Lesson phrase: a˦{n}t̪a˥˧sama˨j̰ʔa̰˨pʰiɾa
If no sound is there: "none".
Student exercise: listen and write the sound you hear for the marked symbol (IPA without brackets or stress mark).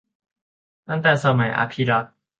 n